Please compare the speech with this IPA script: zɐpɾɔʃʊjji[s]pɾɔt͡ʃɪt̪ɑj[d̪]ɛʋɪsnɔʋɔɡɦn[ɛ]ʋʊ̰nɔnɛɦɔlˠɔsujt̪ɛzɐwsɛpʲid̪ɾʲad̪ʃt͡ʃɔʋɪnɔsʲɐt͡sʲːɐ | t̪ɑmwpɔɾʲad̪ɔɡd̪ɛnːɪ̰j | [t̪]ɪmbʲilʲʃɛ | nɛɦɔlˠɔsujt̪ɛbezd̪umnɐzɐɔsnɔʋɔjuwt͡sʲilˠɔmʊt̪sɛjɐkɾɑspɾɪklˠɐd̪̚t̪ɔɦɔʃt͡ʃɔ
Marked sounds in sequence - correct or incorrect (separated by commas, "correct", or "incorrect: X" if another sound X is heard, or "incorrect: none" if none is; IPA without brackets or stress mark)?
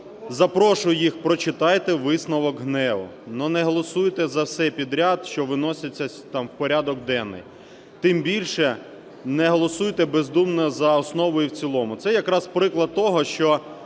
incorrect: x, incorrect: t̪, correct, correct